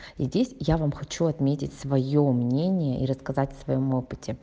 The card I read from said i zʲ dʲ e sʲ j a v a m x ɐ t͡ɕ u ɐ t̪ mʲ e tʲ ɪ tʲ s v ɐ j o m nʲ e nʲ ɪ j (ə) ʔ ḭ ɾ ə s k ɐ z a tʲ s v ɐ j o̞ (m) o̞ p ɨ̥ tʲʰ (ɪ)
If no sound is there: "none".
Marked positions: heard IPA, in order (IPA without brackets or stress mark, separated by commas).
ə, m, ɪ